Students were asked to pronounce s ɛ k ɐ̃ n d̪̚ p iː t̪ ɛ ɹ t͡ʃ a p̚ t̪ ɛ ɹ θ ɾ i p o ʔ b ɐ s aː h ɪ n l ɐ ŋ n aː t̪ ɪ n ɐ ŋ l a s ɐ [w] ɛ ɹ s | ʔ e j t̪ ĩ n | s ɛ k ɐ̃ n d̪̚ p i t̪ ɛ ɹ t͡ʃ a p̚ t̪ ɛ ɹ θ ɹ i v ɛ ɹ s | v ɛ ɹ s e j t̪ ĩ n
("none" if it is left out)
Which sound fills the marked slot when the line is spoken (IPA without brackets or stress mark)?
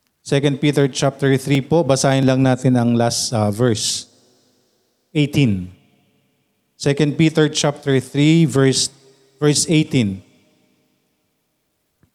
v